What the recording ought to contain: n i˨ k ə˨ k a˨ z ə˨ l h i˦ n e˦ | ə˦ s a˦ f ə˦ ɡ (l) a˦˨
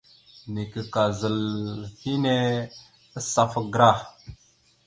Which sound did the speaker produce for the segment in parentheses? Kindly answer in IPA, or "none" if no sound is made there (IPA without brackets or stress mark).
ɾ